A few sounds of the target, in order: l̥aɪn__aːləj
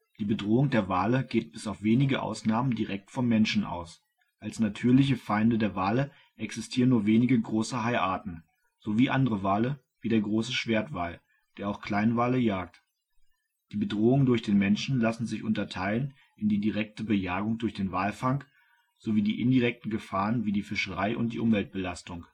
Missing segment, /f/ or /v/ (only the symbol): v